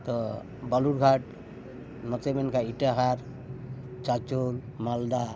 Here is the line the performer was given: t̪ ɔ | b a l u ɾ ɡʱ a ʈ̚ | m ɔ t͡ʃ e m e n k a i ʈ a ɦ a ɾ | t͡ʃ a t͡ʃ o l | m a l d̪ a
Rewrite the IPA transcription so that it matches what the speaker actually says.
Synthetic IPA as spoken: t̪ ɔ | b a l u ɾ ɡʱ a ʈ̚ | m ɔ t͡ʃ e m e n k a i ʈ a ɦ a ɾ | t͡ʃ a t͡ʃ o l | m a l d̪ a